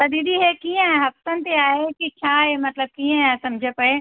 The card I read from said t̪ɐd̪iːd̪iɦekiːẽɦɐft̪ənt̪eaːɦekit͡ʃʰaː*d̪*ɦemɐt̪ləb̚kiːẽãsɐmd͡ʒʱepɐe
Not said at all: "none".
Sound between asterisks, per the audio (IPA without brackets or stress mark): none